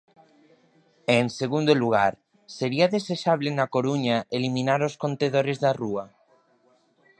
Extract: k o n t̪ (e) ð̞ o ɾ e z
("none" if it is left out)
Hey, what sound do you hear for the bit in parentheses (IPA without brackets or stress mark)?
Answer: e